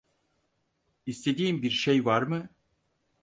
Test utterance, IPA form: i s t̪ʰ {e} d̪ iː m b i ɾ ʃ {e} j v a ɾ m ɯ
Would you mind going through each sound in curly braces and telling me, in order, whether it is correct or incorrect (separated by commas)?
correct, correct